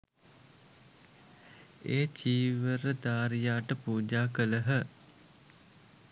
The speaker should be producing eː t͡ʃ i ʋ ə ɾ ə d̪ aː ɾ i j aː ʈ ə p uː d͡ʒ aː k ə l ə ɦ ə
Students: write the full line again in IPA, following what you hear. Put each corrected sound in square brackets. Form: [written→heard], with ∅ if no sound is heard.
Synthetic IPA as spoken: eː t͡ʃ [i→iː] ʋ ə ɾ ə d̪ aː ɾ i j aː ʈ ə p uː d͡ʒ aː k ə l ə ɦ ə